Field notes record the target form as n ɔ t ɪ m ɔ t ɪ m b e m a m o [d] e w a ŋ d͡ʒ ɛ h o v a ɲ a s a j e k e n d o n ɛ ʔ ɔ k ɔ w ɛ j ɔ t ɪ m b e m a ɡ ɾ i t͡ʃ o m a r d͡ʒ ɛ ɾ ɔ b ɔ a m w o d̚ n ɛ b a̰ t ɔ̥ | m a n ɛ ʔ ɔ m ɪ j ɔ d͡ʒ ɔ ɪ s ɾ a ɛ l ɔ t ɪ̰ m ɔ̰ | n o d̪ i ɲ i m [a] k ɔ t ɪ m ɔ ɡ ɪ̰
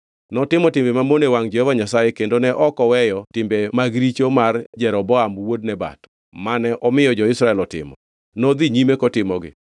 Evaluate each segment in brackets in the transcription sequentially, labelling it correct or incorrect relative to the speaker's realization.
incorrect: n, incorrect: e

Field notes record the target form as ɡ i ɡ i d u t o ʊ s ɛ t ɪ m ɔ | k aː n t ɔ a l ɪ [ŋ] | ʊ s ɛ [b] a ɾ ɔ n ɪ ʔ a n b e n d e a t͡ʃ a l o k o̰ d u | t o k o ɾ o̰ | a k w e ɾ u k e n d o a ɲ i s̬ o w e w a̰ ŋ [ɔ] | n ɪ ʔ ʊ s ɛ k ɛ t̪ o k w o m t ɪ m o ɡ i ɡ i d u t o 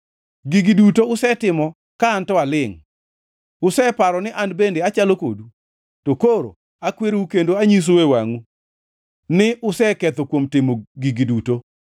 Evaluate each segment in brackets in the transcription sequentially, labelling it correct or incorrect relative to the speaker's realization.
correct, incorrect: p, incorrect: u

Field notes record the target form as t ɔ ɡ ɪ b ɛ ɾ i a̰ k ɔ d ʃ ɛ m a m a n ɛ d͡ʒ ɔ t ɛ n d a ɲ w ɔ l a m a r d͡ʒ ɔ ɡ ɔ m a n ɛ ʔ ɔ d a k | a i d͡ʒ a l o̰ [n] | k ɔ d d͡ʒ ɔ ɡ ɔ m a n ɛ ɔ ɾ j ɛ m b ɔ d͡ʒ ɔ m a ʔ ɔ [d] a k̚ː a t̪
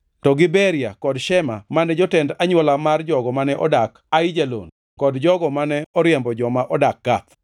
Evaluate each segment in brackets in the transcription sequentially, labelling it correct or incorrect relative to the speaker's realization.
correct, correct

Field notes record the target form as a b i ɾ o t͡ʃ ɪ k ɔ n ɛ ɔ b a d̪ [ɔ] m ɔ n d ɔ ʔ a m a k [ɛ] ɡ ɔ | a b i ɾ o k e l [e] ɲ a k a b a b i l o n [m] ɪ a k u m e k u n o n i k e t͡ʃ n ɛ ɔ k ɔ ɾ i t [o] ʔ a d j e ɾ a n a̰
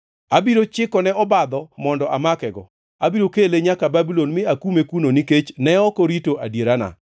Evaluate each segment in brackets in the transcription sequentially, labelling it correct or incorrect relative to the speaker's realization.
correct, correct, correct, correct, correct

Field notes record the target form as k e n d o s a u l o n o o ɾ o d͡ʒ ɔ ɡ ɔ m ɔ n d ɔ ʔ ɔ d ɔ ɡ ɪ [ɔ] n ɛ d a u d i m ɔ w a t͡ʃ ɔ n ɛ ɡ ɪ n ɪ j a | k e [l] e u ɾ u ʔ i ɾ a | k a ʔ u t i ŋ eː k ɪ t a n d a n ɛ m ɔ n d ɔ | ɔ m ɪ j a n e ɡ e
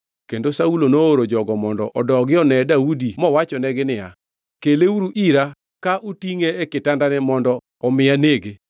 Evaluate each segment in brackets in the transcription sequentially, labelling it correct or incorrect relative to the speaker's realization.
correct, correct

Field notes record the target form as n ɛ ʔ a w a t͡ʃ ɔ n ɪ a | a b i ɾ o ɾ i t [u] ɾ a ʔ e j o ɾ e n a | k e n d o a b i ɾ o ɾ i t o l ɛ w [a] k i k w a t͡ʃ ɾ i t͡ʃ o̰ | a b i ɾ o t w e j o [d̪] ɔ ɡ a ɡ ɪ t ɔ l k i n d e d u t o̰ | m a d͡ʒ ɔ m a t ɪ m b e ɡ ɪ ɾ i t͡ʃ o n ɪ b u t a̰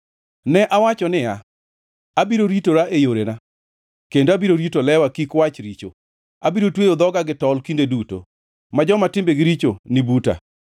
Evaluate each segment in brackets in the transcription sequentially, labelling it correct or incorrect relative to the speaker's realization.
incorrect: o, correct, correct

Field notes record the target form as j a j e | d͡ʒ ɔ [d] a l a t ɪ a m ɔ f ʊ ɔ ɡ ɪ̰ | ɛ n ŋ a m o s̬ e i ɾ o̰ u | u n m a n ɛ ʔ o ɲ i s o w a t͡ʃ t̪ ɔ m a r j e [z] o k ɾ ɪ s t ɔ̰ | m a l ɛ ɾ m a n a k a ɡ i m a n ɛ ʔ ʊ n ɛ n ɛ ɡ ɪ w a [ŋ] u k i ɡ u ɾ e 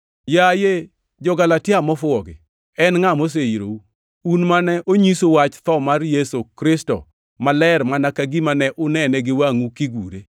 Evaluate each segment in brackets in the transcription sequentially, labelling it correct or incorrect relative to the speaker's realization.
incorrect: ɡ, incorrect: s, correct

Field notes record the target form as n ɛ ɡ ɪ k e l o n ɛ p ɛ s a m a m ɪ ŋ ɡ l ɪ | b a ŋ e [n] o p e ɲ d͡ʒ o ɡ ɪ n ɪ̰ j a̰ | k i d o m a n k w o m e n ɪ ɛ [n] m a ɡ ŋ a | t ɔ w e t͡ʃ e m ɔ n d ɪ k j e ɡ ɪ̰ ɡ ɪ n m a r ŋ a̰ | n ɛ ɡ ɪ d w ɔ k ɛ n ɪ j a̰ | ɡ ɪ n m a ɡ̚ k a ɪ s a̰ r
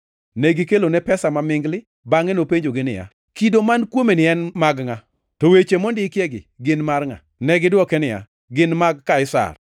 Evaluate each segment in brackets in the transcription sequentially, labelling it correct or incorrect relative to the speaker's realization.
correct, correct

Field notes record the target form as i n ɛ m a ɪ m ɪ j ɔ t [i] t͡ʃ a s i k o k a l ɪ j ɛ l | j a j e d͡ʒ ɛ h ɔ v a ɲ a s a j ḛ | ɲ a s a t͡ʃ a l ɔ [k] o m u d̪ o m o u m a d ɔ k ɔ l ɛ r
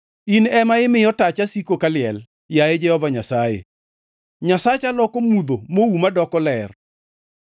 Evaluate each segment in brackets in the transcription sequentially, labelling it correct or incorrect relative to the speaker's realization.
incorrect: a, correct

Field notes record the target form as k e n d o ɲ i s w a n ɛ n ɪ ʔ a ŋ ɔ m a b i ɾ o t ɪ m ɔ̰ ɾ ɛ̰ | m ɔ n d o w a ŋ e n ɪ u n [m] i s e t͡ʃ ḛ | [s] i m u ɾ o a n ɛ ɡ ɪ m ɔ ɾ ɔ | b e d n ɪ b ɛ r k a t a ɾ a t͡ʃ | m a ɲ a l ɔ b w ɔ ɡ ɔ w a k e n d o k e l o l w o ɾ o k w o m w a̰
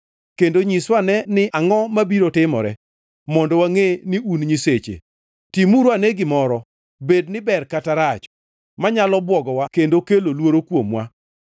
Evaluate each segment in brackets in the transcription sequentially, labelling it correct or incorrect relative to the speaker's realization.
incorrect: ɲ, incorrect: t

